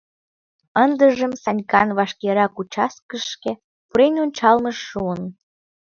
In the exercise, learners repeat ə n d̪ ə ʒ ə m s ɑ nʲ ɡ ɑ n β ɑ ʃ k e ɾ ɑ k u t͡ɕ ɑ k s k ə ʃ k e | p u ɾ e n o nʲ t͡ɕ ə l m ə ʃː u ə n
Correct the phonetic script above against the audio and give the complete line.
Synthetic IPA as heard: ə n d̪ ə ʒ ə m s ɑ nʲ k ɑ n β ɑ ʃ k e ɾ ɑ k u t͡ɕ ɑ s k ə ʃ k e | p u ɾ e n o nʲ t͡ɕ ɑ l m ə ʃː u ə n

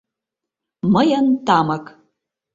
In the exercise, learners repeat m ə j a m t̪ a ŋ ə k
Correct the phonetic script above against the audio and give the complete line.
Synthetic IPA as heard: m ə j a n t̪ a m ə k

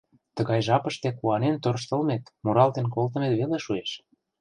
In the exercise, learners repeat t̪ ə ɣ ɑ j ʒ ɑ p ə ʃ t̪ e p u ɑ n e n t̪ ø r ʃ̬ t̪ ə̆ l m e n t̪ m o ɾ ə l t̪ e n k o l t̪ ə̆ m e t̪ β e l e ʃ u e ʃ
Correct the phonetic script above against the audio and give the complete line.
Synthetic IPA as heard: t̪ ə ɣ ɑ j ʒ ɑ p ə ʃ t̪ e k u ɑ n e n t̪ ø r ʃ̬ t̪ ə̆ l m e t̪ m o ɾ ɑ l t̪ e n k o l t̪ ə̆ m e t̪ β e l e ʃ u e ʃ

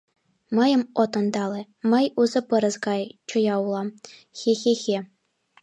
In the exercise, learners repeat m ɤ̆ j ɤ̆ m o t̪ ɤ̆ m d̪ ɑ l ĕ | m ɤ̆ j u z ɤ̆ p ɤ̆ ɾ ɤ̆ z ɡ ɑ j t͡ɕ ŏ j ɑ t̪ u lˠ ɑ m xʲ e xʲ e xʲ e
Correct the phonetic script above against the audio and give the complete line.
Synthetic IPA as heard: m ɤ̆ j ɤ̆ m o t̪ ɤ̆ n d̪ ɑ l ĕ | m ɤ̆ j u z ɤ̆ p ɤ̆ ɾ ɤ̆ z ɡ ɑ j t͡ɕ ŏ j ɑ u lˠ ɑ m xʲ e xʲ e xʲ e

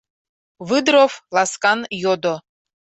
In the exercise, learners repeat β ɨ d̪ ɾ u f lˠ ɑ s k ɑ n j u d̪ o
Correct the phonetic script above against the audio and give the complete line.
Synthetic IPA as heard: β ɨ d̪ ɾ o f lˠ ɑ s k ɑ n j o d̪ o

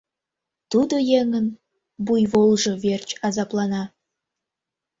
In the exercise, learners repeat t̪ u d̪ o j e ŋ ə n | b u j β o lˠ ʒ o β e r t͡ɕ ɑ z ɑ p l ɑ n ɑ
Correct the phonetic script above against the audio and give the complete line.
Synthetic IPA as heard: t̪ u d̪ o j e ŋ ə n | b u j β o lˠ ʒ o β e r t͡ɕ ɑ z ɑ p l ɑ n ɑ

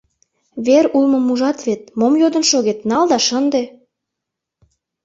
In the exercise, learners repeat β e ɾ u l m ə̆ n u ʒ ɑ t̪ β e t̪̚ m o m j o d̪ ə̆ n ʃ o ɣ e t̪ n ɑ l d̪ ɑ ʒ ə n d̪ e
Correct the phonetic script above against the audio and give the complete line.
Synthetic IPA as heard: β e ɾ u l m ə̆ m u ʒ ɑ t̪ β e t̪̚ m o m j o d̪ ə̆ n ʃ o ɣ e t̪ n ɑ l d̪ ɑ ʃ ə n d̪ e

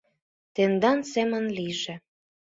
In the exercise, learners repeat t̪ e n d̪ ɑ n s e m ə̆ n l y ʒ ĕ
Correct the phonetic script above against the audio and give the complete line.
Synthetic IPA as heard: t̪ e n d̪ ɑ n s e m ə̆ n l i ʒ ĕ

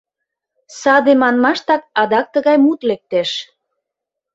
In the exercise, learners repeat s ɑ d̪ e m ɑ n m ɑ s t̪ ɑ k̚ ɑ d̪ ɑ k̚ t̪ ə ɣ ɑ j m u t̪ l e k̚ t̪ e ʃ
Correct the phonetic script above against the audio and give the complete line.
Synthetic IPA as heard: s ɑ d̪ e m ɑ n m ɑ ʃ t̪ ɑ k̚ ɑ d̪ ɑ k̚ t̪ ə ɣ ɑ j m u t̪ l e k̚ t̪ e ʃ

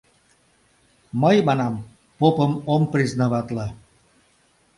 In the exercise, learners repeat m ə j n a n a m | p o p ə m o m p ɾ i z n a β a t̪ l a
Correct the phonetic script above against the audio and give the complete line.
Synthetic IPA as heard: m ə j m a n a m | p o p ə m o m p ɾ i z n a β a t̪ l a

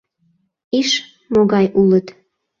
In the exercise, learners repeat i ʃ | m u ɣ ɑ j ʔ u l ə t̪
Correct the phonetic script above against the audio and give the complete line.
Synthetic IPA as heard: i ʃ | m o ɣ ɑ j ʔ u l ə t̪

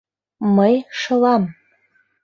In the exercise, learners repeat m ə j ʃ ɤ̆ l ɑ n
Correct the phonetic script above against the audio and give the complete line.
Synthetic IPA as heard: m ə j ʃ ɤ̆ l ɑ m

